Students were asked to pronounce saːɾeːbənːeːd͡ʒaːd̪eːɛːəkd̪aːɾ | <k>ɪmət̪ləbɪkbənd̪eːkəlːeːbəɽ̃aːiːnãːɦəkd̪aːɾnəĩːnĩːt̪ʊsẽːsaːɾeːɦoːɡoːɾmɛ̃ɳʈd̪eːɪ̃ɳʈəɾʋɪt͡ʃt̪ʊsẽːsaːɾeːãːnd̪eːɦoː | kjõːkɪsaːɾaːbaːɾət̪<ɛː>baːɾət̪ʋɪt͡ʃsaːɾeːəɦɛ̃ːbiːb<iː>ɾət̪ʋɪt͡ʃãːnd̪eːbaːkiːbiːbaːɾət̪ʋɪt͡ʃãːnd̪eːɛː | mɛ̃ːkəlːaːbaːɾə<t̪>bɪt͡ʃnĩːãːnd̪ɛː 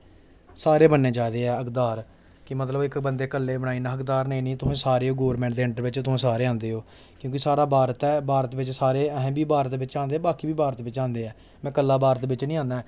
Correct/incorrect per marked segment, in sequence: correct, correct, incorrect: aː, correct

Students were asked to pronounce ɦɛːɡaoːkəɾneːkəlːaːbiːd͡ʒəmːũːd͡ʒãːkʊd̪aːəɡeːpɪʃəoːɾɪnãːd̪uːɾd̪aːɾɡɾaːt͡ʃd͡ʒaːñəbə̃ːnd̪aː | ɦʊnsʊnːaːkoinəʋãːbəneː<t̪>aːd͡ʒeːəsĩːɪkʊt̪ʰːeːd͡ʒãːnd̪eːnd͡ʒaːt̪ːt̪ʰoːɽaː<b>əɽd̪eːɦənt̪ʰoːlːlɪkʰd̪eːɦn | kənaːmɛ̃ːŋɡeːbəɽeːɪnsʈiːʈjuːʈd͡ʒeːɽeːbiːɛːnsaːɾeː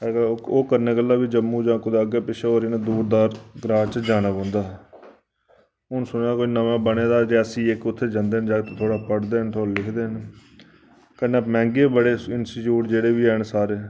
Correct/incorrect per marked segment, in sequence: incorrect: d̪, incorrect: p

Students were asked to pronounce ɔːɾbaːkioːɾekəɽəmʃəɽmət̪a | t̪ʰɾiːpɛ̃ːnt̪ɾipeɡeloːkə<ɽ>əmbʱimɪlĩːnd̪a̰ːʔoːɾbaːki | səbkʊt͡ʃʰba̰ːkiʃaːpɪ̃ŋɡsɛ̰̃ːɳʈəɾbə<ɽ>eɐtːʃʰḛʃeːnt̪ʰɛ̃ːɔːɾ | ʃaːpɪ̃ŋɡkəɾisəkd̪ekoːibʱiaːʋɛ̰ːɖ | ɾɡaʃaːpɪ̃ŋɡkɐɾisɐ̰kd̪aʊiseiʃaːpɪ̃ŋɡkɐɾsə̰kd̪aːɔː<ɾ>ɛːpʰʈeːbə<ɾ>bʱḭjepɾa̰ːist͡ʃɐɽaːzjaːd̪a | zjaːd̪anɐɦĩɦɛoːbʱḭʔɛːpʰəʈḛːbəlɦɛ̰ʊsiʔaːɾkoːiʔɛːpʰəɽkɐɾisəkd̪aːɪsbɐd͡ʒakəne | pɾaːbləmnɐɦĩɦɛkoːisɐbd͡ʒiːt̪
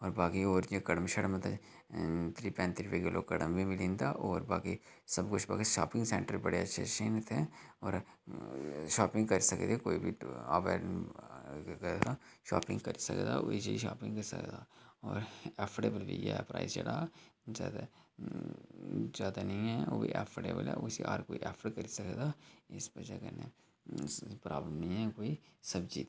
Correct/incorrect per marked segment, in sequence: correct, correct, correct, incorrect: l

